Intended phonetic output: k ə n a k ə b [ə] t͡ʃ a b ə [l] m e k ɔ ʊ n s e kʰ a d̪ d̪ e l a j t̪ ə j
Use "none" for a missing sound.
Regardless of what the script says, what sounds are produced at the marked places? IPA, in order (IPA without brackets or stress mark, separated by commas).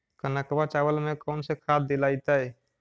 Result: a, l